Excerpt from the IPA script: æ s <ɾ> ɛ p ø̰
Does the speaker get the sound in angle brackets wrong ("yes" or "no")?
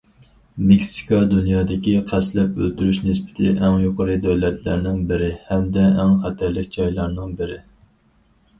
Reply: yes